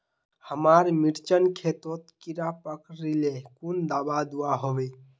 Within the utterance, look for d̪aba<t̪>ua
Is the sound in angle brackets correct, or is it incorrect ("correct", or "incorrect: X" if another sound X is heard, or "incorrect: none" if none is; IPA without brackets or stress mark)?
incorrect: d̪